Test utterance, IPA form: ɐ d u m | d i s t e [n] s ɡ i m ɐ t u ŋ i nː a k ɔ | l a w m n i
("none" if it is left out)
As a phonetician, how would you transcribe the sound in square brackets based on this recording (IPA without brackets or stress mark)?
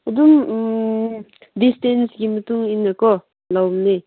n